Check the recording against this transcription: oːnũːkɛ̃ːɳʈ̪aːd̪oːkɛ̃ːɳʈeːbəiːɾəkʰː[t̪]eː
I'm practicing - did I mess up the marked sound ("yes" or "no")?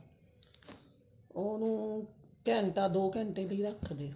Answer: yes